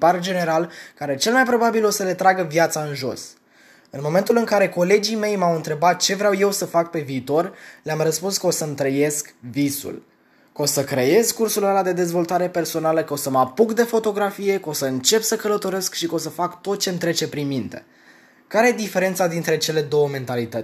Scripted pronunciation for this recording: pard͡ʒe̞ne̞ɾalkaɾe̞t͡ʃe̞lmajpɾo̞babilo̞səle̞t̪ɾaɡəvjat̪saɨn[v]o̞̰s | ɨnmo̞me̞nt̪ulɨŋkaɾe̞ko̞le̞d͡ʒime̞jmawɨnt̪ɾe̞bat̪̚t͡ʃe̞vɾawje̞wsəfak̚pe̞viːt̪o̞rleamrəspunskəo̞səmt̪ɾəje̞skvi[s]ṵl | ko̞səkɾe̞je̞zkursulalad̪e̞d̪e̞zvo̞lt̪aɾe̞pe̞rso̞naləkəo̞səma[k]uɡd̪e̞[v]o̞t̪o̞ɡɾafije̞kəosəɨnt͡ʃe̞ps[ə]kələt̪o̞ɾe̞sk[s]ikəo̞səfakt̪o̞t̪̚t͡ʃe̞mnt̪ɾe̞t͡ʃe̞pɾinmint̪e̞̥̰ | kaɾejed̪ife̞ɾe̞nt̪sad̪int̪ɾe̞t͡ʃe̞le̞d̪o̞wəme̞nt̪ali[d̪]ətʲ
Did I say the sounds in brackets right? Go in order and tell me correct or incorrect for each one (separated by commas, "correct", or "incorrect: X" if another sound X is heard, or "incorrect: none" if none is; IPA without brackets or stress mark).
incorrect: ʒ, correct, incorrect: p, incorrect: f, correct, incorrect: ʃ, incorrect: t̪